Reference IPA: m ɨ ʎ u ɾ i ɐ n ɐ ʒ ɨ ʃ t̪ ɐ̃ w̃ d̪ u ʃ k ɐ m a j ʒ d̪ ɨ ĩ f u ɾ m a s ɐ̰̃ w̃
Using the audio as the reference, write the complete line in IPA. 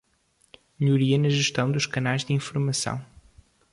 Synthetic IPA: m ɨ ʎ u ɾ i ɐ n ɐ ʒ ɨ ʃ t̪ ɐ̃ w̃ d̪ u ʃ k ɐ n a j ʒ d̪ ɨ ĩ f u ɾ m ɐ s ɐ̰̃ w̃